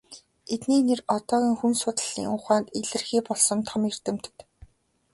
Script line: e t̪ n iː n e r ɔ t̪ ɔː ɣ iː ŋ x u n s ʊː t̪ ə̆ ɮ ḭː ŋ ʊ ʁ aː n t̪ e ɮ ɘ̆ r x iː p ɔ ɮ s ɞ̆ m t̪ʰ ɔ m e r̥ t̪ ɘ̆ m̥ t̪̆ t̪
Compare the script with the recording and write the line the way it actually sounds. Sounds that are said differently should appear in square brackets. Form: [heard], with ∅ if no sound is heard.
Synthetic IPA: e t̪ n iː n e r ɔ t̪ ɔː ɣ iː ŋ x u n s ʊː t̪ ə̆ ɮ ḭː ŋ ʊ [χ] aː n t̪ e ɮ ɘ̆ r x iː p ɔ ɮ s ɞ̆ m t̪ʰ ɔ m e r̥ t̪ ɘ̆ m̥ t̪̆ t̪